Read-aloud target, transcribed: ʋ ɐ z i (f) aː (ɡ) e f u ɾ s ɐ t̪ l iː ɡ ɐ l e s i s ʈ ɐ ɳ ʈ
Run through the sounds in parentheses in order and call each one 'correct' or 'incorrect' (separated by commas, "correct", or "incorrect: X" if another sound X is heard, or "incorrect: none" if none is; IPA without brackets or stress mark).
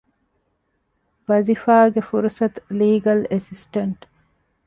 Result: correct, correct